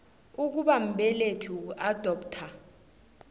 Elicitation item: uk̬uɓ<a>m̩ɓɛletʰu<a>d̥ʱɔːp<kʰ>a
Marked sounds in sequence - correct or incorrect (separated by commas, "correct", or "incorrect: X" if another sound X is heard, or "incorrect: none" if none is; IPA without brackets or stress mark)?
correct, correct, incorrect: tʰ